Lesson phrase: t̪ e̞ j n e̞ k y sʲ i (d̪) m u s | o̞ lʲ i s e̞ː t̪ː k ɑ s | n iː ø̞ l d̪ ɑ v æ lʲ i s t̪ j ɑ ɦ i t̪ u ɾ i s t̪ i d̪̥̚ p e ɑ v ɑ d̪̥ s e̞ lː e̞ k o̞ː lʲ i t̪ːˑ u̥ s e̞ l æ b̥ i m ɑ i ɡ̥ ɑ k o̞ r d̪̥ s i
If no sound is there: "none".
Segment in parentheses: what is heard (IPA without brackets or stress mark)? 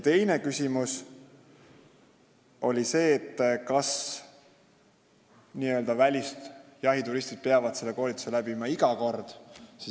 none